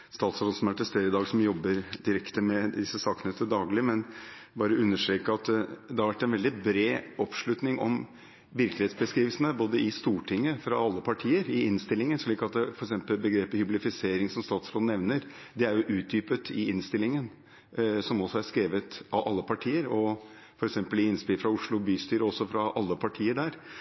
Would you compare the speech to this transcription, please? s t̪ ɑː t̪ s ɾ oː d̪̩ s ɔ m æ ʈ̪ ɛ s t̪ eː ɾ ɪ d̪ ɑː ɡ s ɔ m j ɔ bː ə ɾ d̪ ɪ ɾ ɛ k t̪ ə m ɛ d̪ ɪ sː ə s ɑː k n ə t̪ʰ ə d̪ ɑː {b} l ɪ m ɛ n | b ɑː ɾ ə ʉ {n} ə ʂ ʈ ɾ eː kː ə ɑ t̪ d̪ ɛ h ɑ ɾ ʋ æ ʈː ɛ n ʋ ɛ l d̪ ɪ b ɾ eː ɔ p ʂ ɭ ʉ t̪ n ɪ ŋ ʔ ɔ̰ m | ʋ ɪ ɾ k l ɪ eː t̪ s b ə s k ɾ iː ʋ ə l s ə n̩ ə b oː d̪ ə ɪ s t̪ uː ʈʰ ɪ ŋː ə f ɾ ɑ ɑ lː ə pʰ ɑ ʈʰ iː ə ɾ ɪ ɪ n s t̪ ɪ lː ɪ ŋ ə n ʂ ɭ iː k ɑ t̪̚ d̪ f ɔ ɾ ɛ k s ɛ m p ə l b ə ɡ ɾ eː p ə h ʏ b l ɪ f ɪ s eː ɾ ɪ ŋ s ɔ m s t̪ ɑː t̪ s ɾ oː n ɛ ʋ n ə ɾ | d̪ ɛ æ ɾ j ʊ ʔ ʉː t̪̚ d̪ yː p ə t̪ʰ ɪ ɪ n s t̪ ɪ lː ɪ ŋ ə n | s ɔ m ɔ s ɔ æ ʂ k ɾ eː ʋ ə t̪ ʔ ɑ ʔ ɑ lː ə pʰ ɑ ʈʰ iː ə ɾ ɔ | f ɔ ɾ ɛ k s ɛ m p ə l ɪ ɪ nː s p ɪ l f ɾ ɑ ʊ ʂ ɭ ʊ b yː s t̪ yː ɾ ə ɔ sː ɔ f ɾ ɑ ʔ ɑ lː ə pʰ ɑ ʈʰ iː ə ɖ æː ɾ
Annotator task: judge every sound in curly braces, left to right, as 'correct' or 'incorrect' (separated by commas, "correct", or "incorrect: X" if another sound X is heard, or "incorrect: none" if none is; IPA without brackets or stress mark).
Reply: incorrect: ɡ, incorrect: nː